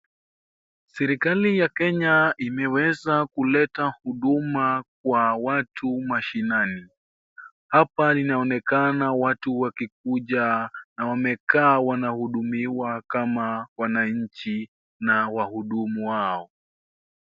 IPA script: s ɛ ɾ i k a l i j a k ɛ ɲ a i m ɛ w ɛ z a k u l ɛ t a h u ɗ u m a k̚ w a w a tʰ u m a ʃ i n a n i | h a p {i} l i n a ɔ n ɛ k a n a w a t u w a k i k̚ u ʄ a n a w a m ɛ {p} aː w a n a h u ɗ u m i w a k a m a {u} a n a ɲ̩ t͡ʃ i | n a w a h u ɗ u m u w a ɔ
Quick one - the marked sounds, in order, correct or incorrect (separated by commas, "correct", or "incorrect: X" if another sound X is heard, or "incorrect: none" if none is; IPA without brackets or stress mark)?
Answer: incorrect: a, incorrect: k, incorrect: w